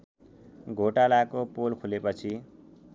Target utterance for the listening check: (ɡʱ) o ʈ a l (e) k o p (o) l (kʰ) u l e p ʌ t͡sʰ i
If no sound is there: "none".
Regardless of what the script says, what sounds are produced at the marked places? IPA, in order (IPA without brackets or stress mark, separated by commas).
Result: ɡʱ, a, o, kʰ